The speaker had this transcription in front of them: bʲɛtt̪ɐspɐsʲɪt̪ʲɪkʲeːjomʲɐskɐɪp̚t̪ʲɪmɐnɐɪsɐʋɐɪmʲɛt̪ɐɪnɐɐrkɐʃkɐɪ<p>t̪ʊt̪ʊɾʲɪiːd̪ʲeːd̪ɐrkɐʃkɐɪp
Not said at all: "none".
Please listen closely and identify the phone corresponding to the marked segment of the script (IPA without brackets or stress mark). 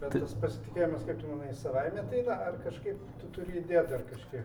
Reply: p